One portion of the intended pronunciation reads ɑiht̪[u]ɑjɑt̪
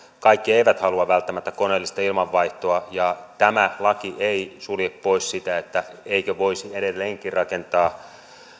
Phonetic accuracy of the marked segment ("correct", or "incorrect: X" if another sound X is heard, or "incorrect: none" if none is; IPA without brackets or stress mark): incorrect: o